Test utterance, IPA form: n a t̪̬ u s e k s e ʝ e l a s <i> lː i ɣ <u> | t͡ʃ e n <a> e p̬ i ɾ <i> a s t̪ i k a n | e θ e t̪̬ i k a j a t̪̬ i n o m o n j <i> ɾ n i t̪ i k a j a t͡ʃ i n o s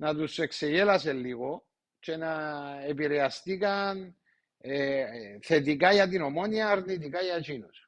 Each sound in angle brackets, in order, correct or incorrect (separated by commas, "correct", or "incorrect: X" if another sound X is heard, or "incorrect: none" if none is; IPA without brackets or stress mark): incorrect: e, incorrect: o, correct, incorrect: e, incorrect: a